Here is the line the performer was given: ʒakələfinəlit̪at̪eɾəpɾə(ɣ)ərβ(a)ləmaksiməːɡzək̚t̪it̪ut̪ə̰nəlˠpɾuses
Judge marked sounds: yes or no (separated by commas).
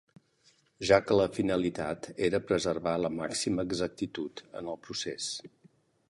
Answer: no, yes